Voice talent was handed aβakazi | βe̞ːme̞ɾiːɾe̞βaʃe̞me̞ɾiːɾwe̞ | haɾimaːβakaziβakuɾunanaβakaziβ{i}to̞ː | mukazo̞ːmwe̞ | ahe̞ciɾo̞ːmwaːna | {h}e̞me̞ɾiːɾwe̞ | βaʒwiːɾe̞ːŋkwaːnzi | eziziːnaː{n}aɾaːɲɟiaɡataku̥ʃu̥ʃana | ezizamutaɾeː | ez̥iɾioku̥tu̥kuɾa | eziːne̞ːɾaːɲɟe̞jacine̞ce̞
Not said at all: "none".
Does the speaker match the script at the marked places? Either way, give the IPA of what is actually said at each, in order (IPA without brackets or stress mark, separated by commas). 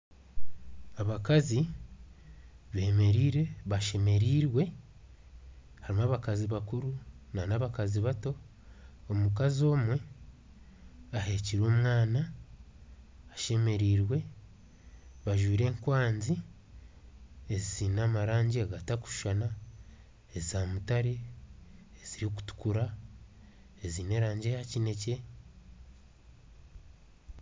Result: a, ʃ, m